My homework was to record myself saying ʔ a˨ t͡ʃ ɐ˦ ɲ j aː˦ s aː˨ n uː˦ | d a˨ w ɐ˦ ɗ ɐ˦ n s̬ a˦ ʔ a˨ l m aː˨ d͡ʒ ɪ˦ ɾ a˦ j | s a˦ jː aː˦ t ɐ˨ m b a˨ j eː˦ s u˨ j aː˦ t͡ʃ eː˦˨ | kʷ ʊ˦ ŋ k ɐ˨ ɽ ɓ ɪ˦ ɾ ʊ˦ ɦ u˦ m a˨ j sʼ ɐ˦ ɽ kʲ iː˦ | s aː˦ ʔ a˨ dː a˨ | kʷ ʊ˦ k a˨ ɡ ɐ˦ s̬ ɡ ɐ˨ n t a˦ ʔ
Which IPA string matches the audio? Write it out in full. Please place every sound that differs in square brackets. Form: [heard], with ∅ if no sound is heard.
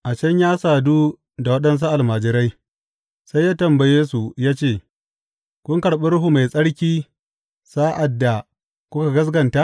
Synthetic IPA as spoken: ʔ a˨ t͡ʃ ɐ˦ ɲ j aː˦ s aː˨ [d] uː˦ | d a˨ w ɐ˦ ɗ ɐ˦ n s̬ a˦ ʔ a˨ l m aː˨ d͡ʒ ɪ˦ ɾ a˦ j | s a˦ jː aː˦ t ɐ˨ m b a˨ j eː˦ s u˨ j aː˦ t͡ʃ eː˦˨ | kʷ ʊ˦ ŋ k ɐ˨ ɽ ɓ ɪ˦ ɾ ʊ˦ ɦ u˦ m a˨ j sʼ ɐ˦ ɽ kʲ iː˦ | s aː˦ ʔ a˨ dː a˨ | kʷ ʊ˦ k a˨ ɡ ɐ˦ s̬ ɡ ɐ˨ n t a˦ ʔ